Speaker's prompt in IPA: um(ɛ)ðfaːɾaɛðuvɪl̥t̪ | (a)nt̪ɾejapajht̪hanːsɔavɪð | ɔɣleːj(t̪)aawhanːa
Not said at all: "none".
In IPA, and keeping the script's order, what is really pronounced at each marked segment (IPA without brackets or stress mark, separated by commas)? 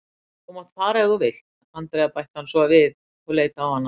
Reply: a, a, t̪